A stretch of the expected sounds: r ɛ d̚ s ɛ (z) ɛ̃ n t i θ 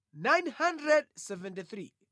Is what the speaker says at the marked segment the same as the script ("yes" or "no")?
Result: no